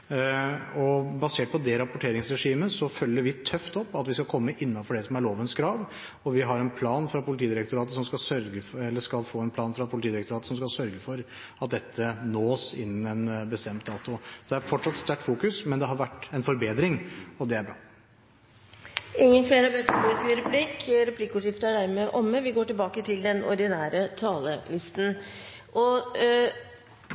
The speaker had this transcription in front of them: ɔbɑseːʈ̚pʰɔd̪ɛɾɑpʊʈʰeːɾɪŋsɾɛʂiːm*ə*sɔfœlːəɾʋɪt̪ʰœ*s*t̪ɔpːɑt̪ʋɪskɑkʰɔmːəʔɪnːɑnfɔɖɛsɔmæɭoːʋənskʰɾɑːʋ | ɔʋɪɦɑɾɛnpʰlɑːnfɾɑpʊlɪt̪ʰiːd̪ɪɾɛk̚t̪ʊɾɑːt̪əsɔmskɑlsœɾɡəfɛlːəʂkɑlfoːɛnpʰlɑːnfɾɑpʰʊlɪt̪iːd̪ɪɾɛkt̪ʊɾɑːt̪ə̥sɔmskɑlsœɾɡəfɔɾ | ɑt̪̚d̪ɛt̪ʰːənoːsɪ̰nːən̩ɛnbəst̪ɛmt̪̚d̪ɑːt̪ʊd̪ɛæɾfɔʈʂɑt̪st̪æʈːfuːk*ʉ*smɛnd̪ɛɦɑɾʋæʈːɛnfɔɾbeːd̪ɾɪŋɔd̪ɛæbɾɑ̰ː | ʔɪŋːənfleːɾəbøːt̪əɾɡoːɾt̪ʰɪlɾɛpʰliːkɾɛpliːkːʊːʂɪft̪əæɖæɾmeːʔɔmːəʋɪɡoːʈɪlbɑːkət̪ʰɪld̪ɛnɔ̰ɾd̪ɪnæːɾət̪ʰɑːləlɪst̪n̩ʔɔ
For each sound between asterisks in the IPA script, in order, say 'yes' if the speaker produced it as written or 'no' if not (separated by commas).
yes, no, yes